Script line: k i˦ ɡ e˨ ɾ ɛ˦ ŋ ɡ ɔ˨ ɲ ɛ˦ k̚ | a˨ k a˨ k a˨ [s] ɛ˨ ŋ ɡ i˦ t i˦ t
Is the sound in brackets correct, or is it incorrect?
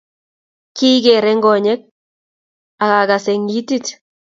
correct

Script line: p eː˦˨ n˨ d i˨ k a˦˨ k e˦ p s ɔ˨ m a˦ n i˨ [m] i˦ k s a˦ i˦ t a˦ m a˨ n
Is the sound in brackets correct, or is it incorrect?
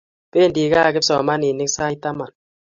incorrect: n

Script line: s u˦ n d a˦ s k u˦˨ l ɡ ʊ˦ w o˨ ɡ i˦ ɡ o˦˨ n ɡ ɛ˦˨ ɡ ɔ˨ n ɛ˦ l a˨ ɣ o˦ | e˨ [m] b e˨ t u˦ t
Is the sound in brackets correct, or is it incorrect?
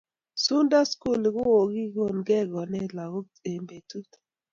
correct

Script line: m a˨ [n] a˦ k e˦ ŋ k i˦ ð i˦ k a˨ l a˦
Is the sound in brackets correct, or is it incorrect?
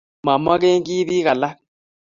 incorrect: m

